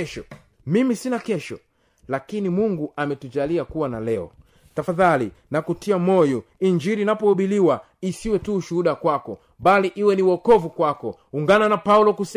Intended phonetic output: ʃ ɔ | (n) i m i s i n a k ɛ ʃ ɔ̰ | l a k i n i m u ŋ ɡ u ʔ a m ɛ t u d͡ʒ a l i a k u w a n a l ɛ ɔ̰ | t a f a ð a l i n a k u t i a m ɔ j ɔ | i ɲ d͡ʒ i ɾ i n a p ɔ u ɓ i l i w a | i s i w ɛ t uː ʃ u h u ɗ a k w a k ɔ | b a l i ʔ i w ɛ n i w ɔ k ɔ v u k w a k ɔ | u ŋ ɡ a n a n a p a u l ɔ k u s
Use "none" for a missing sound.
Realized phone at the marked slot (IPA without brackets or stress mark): m